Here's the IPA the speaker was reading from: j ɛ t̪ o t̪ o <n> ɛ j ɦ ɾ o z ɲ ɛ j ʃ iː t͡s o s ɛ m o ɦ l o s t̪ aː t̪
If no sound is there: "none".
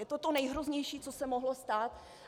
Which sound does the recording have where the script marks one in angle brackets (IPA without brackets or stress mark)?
n